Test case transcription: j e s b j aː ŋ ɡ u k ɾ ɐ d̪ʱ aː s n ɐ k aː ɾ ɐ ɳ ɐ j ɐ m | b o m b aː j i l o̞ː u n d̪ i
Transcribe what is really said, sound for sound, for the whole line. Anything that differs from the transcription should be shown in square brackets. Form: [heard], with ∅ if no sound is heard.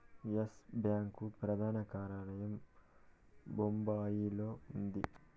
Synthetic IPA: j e s b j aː ŋ [k] u [p] ɾ ɐ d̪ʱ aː [∅] n ɐ k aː ɾ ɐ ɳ ɐ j ɐ m | b o m b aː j i l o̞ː u n d̪ i

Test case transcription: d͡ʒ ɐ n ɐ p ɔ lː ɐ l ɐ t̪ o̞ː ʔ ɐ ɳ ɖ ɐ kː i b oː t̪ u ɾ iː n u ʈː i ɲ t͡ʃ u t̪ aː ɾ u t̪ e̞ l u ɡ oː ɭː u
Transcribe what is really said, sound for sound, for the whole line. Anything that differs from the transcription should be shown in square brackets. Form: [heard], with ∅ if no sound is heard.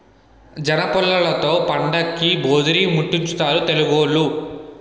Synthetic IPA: d͡ʒ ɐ n ɐ p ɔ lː ɐ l ɐ t̪ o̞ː [p] ɐ ɳ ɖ ɐ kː i b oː [d̪] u ɾ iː [m] u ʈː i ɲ t͡ʃ u t̪ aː ɾ u t̪ e̞ l u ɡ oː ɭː u

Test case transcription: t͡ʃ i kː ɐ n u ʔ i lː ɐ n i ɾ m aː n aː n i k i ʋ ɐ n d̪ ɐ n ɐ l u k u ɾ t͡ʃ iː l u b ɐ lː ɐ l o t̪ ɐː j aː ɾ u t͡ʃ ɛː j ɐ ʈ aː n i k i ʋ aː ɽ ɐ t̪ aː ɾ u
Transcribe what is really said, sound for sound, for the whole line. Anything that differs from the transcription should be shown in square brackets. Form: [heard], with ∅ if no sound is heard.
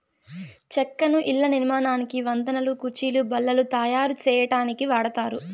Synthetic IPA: t͡ʃ [ɛ] kː ɐ n u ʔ i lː ɐ n i ɾ m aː n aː n i k i ʋ ɐ n d̪ ɐ n ɐ l u k u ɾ t͡ʃ iː l u b ɐ lː ɐ l [u] t̪ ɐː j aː ɾ u t͡ʃ ɛː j ɐ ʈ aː n i k i ʋ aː ɽ ɐ t̪ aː ɾ u

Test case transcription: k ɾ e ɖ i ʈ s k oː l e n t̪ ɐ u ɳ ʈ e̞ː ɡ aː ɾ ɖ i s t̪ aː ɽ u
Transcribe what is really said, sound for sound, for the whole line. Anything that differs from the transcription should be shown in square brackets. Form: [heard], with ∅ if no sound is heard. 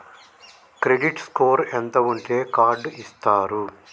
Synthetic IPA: k ɾ e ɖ i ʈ s k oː [ɾ] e n t̪ ɐ u ɳ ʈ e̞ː [k] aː ɾ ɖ i s t̪ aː [ɾ] u

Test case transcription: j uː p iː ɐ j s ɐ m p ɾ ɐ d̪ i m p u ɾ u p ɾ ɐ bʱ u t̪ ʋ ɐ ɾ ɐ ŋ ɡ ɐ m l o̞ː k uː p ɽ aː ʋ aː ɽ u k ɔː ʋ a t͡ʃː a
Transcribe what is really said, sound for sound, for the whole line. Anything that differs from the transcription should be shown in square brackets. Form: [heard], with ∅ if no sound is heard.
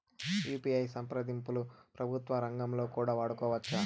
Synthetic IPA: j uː p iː ɐ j s ɐ m p ɾ ɐ d̪ i m p u [l] u p ɾ ɐ bʱ u t̪ ʋ ɐ ɾ ɐ ŋ ɡ ɐ m l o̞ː k uː [∅] ɽ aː ʋ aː ɽ u k ɔː ʋ [ɐ] t͡ʃː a

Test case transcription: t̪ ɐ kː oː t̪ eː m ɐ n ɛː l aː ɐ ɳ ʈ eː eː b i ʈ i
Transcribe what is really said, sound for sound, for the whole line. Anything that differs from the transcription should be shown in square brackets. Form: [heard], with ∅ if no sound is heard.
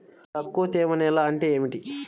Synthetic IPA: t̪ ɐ kː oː t̪ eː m ɐ n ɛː l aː ɐ ɳ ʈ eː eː [m] i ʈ i

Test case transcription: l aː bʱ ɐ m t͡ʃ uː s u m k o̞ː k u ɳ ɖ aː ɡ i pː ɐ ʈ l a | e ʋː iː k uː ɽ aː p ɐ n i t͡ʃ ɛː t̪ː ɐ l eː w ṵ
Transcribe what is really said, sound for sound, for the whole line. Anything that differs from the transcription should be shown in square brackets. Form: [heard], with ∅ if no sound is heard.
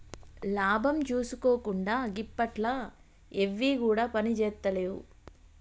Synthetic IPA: l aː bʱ ɐ m t͡ʃ uː s u [∅] k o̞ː k u ɳ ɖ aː ɡ i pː ɐ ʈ l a | e ʋː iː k uː ɽ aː p ɐ n i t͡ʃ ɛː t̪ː ɐ l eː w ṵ

